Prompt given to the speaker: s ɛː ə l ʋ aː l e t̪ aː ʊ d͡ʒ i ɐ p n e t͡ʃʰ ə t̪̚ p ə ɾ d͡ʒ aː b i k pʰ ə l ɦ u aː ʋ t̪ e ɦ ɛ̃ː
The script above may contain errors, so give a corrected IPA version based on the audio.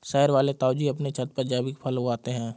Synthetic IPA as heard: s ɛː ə ɾ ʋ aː l e t̪ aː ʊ d͡ʒ i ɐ p n e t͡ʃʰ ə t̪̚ p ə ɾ d͡ʒ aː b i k pʰ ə l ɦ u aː t̪ e ɦ ɛ̃ː